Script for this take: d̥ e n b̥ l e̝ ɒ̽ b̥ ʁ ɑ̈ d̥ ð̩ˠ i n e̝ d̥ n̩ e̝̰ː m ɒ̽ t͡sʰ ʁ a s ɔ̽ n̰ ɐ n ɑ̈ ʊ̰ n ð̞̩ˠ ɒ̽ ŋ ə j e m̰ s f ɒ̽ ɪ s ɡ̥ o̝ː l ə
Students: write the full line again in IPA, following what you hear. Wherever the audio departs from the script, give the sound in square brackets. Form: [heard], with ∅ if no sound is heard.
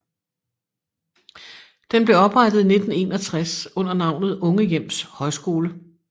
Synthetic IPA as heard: d̥ e n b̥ l e̝ ɒ̽ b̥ ʁ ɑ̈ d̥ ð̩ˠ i n e̝ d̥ n̩ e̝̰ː [n] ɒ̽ t͡sʰ ʁ a s ɔ̽ n̰ ɐ n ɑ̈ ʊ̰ n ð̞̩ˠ [ɔ̽] ŋ ə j e m̰ s [h] ɒ̽ ɪ s ɡ̥ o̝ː l ə